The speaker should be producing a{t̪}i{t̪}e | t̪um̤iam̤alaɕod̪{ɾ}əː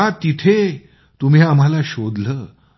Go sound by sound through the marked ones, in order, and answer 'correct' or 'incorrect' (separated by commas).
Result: correct, incorrect, incorrect